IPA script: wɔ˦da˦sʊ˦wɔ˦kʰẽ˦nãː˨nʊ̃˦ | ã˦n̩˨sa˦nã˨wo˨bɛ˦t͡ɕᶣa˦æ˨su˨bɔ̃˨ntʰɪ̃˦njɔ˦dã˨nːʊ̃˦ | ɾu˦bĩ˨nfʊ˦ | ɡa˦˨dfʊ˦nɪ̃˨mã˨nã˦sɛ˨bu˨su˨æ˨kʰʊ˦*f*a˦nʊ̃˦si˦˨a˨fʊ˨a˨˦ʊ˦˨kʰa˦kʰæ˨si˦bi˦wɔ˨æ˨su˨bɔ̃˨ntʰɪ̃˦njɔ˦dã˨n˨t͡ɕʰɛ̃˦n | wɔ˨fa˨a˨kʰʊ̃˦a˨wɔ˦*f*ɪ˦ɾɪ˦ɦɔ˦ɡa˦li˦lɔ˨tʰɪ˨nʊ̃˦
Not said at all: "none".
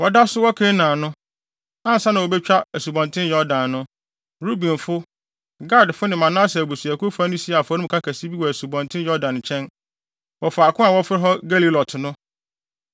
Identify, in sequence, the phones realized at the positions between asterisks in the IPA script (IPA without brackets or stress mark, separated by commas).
f, f